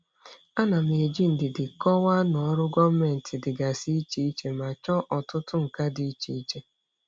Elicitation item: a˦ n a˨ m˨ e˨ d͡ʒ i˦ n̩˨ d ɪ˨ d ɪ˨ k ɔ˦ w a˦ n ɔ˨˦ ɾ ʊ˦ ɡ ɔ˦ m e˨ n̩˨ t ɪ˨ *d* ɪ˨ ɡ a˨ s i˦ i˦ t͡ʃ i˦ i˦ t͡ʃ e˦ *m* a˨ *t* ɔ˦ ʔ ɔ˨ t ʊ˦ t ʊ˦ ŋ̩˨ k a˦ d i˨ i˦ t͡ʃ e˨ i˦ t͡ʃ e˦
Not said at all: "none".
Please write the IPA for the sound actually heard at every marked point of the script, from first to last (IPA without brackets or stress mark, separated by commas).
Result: d, m, t͡ʃ